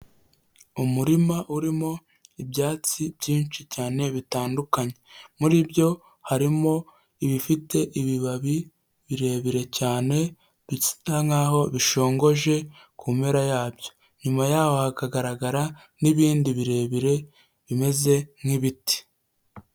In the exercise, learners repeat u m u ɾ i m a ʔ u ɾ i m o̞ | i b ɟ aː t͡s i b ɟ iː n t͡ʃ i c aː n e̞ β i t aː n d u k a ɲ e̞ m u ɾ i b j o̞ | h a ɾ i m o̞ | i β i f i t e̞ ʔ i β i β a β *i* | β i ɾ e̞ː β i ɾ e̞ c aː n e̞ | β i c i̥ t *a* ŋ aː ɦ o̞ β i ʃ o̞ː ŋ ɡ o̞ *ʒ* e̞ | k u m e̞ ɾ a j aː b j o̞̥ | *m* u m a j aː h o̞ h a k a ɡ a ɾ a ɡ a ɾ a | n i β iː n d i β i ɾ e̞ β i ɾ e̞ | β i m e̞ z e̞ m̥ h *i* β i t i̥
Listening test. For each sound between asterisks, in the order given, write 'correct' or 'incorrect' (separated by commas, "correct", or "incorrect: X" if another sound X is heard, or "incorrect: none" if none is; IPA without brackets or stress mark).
correct, correct, correct, incorrect: ɲ, correct